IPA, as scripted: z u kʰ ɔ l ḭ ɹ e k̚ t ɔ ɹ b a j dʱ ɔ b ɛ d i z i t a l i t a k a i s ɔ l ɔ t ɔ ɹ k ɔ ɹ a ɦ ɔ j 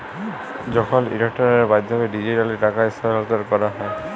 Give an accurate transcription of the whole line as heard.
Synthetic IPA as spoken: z ɔ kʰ ɔ l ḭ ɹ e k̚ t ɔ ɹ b a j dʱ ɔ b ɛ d i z i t a l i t a k a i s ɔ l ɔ t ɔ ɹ k ɔ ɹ a ɦ ɔ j

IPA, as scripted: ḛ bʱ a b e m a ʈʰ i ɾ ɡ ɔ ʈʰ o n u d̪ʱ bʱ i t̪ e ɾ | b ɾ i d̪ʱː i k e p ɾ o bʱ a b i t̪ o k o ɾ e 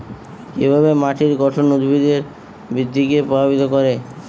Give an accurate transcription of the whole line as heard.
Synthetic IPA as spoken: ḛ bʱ a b e m a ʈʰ i ɾ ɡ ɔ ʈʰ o n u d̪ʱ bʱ i d̪ e ɾ | b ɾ i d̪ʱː i k e p ɾ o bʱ a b i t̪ o k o ɾ e

